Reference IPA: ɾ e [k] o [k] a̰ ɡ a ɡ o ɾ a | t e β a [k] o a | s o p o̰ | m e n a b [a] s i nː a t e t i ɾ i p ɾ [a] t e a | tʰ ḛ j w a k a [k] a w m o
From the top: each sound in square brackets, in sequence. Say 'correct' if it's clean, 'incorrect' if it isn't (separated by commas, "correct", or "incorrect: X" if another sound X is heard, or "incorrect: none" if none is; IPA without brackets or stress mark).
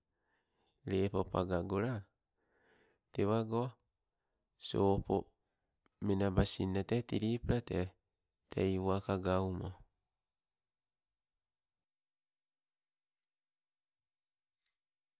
incorrect: p, incorrect: p, incorrect: ɡ, correct, correct, incorrect: ɡ